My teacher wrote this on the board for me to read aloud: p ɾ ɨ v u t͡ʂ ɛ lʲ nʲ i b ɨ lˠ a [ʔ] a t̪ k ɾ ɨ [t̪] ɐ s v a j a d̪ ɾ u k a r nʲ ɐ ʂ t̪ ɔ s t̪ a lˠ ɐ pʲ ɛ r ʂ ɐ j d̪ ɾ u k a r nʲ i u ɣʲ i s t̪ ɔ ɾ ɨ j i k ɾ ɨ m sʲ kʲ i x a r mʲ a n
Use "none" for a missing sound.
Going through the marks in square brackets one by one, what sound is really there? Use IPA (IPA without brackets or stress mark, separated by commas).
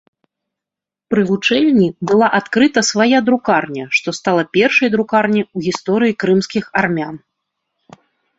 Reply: ʔ, t̪